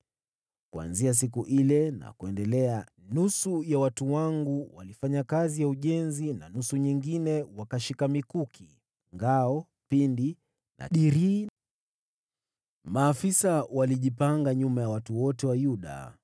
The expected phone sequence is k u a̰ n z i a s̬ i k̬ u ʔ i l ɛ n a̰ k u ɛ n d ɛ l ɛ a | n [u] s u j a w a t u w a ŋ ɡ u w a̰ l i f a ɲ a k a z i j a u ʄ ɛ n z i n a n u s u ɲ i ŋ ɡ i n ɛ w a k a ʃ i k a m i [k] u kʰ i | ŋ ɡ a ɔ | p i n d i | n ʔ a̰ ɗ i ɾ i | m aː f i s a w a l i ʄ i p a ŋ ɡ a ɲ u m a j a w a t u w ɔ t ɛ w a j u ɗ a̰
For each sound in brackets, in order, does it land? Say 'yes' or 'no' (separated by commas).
yes, yes